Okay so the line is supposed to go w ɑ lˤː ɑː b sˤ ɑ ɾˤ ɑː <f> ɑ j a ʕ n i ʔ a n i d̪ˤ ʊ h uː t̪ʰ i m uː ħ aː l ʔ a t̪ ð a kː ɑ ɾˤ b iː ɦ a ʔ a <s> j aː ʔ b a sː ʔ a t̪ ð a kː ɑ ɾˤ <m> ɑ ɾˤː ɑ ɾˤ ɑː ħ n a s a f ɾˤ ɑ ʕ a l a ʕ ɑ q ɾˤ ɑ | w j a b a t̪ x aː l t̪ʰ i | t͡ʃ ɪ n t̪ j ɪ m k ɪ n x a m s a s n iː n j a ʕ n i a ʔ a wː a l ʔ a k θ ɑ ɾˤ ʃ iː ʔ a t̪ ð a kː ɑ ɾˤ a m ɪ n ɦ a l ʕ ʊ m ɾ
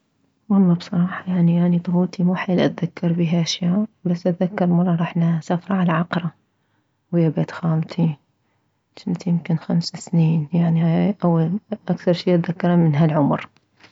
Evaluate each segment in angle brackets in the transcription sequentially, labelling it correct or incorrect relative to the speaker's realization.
incorrect: ħ, incorrect: ʃ, correct

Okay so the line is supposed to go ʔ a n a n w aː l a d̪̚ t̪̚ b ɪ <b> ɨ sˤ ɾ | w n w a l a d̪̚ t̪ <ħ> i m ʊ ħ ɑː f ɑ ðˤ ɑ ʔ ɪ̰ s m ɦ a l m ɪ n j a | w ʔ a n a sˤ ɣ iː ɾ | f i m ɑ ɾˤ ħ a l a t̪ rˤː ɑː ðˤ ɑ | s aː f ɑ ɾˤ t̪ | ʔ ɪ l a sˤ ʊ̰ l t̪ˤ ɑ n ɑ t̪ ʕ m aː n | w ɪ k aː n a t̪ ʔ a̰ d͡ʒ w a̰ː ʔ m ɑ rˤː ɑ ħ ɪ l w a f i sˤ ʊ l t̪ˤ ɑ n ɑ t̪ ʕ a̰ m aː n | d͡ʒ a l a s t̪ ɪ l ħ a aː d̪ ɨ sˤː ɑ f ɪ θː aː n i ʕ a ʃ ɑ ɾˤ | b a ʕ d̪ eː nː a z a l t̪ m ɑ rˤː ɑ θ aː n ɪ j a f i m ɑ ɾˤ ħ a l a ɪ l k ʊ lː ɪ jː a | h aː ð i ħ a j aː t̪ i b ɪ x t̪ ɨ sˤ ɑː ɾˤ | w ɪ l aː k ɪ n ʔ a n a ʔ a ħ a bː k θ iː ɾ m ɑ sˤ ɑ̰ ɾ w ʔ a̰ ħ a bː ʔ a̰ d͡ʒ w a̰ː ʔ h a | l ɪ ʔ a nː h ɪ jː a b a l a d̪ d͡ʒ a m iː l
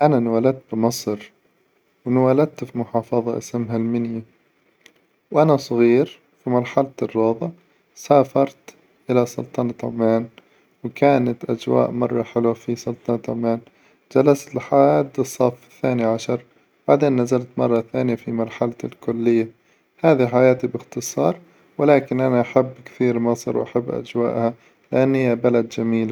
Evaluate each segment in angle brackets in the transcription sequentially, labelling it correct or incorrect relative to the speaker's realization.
incorrect: m, incorrect: f

